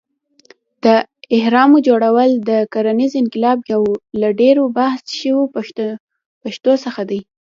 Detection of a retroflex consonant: present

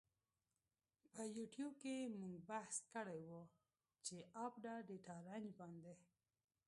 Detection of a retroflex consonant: present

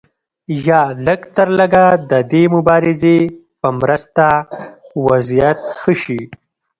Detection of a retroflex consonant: absent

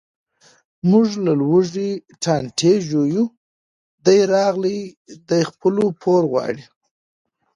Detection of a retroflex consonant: present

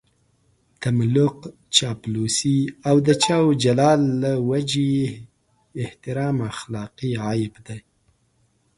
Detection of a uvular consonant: present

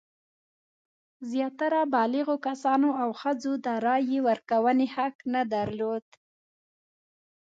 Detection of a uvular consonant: absent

